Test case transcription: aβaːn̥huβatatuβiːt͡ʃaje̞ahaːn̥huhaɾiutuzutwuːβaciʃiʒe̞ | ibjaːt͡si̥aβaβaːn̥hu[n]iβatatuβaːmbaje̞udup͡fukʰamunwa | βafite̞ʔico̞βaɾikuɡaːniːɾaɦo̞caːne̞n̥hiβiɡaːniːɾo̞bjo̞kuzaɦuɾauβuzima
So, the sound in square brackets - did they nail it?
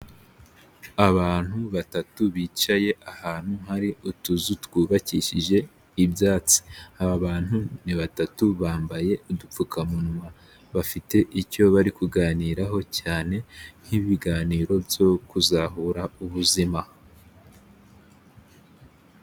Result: yes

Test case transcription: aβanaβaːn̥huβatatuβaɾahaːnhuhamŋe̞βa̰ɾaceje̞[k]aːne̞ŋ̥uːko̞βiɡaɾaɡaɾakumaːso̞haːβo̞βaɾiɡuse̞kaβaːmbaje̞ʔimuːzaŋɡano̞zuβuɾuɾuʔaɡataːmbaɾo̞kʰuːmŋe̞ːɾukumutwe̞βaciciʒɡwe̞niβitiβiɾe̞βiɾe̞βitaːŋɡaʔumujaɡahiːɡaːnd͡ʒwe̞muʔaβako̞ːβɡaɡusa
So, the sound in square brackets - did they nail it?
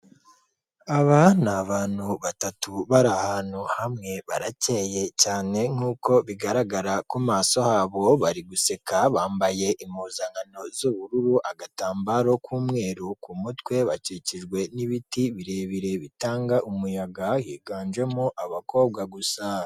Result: no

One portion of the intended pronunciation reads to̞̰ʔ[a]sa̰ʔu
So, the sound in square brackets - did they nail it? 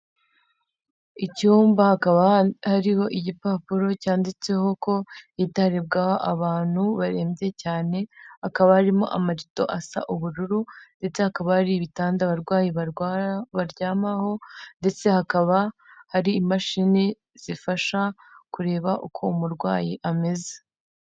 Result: yes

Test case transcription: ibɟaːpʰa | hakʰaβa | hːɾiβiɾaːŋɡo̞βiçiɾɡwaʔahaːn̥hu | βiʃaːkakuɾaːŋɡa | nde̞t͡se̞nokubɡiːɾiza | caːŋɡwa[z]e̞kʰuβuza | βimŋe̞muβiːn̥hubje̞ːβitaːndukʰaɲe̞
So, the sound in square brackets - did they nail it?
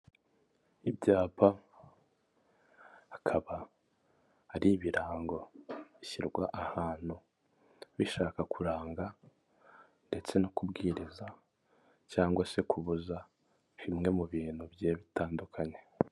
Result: no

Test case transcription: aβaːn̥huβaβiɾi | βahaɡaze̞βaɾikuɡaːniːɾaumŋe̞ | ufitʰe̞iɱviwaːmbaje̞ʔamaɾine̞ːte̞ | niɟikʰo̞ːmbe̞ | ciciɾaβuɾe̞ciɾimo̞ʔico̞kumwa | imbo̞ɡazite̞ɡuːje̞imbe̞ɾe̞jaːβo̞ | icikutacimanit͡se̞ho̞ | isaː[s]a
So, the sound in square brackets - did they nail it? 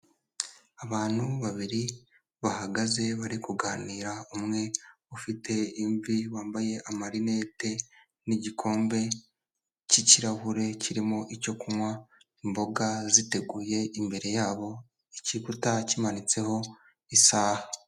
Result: no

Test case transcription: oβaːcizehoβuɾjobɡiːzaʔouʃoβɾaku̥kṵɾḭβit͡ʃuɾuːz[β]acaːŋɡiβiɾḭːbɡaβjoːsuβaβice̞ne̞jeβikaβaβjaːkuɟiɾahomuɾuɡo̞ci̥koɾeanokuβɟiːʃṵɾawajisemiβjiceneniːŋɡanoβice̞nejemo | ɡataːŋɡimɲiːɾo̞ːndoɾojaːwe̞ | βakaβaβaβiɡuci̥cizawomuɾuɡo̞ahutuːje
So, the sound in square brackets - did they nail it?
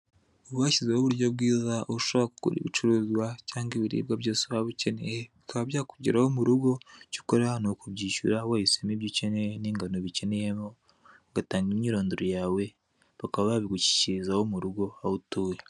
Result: no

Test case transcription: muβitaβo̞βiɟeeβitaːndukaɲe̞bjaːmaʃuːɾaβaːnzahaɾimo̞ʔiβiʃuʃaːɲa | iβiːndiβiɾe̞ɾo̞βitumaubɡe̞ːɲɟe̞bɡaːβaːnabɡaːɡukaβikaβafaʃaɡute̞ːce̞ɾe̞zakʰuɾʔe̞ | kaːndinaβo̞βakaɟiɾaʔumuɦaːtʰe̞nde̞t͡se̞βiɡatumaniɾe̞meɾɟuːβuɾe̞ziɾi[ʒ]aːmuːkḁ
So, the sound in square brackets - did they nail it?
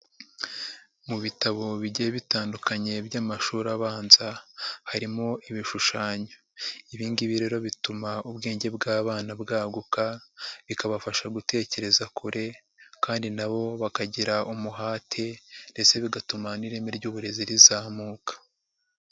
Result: no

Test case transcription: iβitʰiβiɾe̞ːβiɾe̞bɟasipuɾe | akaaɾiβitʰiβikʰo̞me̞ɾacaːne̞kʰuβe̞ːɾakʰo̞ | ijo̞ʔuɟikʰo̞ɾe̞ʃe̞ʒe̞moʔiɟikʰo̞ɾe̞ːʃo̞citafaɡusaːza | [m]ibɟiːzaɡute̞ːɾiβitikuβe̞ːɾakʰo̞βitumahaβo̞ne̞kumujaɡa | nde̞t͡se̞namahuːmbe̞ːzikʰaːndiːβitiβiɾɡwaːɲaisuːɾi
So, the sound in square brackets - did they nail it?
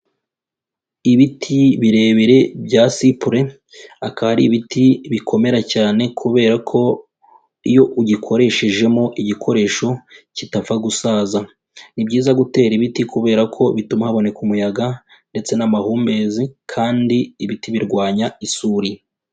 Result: no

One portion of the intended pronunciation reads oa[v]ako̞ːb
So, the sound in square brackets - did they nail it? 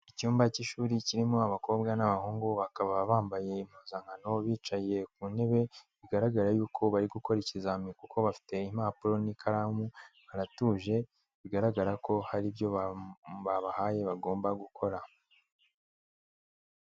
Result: no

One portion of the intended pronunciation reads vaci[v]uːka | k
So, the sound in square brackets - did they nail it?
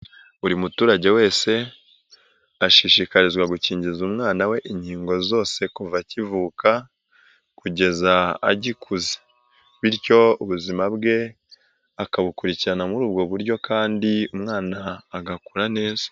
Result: yes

